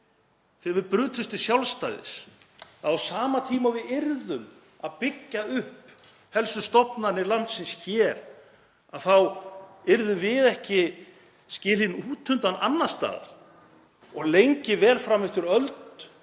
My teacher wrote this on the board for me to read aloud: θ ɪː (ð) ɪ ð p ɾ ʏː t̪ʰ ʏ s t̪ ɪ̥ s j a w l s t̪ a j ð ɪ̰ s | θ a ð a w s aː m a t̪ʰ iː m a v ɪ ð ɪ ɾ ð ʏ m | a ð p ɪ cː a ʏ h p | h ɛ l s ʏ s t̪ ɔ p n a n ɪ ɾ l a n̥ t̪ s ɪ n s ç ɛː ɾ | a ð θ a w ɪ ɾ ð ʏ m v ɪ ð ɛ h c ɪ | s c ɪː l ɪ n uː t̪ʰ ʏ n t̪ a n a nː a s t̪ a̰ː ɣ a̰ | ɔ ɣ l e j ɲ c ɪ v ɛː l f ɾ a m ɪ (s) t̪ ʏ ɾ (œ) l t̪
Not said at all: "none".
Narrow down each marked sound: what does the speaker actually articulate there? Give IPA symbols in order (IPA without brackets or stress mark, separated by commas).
v, f, œ